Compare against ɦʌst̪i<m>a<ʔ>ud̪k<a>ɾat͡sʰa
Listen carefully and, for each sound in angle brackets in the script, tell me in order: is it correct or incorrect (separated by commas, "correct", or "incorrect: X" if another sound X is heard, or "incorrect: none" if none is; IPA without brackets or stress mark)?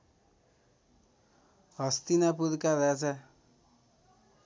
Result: incorrect: n, incorrect: p, correct